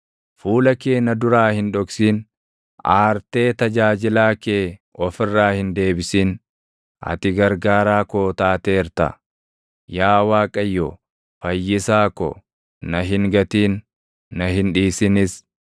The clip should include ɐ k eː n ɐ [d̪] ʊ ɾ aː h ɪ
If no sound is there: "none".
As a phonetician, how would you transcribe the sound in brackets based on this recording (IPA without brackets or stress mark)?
d̪